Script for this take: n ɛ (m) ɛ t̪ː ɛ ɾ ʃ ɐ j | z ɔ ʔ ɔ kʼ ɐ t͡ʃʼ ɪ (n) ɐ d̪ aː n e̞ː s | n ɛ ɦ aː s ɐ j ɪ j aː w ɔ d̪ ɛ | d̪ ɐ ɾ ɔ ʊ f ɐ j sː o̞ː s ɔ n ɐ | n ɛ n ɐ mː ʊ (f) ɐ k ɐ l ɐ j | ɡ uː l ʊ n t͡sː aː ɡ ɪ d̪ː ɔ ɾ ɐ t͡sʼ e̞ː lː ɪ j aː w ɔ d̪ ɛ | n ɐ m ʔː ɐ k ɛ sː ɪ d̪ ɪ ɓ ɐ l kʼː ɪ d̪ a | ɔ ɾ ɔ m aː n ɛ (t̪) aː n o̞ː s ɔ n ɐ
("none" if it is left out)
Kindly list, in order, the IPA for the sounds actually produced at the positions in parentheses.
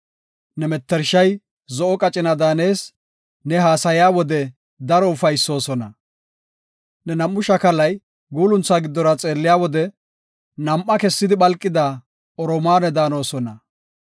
m, n, ʃ, d̪

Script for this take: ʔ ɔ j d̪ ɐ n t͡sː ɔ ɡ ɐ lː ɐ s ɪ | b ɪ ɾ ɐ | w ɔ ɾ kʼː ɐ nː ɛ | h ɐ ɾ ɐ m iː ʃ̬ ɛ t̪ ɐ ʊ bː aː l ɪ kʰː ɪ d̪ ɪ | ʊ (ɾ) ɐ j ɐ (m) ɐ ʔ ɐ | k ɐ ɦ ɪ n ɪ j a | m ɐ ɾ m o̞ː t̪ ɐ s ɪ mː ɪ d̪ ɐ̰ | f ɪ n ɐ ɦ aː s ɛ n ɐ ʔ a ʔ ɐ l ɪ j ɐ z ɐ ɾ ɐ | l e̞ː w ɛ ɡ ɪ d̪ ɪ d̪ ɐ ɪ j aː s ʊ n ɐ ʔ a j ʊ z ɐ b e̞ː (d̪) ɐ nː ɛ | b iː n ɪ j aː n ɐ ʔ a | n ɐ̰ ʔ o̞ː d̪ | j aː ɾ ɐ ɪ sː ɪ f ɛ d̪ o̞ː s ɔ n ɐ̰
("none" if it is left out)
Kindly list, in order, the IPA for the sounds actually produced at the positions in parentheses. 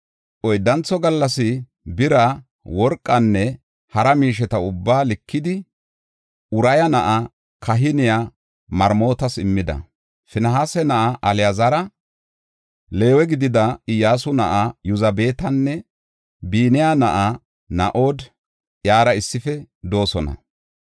ɾ, n, t̪

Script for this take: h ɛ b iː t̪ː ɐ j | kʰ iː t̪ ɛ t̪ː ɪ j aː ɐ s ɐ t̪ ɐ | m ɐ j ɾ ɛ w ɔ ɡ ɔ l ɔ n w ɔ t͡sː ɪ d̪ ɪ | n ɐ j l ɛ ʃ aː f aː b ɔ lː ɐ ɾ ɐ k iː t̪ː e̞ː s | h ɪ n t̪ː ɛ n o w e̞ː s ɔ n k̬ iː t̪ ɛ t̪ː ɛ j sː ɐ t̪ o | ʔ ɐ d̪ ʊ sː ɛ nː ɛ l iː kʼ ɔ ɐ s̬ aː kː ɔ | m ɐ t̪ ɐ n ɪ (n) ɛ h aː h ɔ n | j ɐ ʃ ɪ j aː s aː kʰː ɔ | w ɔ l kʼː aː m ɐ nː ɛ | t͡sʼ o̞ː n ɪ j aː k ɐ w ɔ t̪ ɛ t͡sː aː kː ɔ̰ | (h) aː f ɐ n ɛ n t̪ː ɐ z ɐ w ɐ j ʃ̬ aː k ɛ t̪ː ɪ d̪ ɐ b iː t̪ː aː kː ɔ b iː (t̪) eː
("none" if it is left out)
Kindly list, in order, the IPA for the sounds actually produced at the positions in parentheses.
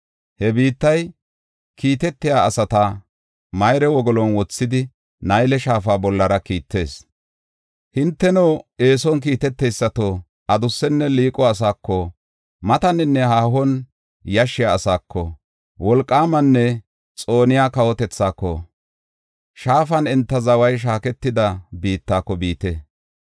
nː, ʃ, t̪

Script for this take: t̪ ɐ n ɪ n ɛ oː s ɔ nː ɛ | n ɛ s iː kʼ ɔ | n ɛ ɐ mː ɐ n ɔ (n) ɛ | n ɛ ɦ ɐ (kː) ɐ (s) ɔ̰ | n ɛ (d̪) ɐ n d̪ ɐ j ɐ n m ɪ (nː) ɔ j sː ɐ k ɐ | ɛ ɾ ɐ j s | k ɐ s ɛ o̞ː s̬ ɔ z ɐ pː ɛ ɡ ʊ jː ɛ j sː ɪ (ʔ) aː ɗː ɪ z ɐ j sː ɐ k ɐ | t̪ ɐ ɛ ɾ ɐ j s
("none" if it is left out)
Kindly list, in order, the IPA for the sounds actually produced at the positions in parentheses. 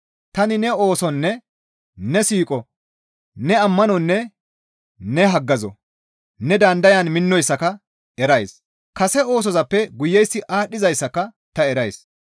nː, ɡː, z, d̪, nː, ʔ

